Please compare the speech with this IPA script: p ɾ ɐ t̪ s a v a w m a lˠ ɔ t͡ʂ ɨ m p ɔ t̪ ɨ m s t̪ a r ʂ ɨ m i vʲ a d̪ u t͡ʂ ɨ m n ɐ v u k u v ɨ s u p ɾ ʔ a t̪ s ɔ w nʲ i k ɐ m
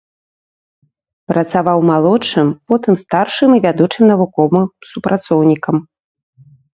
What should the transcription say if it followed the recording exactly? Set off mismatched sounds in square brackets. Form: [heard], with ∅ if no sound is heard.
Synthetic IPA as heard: p ɾ ɐ t̪ s a v a w m a lˠ ɔ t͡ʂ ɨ m p ɔ t̪ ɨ m s t̪ a r ʂ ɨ m i vʲ a d̪ u t͡ʂ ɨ m n ɐ v u k [ɔ] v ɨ s u p ɾ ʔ a t̪ s ɔ w nʲ i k ɐ m